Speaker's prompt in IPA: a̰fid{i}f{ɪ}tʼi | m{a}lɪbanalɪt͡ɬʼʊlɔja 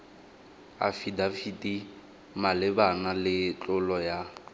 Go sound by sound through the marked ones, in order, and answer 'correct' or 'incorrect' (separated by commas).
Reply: incorrect, incorrect, correct